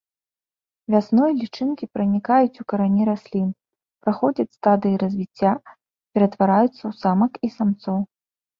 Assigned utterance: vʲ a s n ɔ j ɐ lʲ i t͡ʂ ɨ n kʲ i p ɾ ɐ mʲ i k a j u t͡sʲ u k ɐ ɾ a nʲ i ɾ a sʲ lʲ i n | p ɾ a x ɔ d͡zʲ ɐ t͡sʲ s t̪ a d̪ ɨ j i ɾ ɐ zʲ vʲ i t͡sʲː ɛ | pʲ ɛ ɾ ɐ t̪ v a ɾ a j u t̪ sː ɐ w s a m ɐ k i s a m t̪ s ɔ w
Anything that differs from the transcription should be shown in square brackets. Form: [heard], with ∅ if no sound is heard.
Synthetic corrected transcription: vʲ a s n ɔ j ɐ lʲ i t͡ʂ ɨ n kʲ i p ɾ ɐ [nʲ] i k a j u t͡sʲ u k ɐ ɾ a nʲ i ɾ a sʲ lʲ i n | p ɾ a x ɔ d͡zʲ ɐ t͡sʲ s t̪ a d̪ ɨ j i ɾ ɐ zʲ vʲ i t͡sʲː [a] | pʲ ɛ ɾ ɐ t̪ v a ɾ a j u t̪ sː ɐ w s a m ɐ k i s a m t̪ s ɔ w

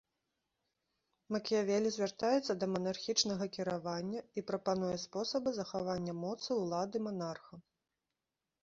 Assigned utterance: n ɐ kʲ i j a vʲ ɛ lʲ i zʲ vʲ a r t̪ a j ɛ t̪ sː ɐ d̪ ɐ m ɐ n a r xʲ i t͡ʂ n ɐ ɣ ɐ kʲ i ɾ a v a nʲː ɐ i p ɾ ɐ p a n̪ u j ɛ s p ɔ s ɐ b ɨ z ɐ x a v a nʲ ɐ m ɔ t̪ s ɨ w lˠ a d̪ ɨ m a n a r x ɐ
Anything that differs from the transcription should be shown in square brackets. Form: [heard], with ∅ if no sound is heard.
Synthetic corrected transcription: [m] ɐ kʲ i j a vʲ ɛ lʲ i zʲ vʲ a r t̪ a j ɛ t̪ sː ɐ d̪ ɐ m ɐ n a r xʲ i t͡ʂ n ɐ ɣ ɐ kʲ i ɾ a v a nʲː ɐ i p ɾ ɐ p a n̪ u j ɛ s p ɔ s ɐ b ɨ z ɐ x a v a [nʲː] ɐ m ɔ t̪ s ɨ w lˠ a d̪ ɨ m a n a r x ɐ

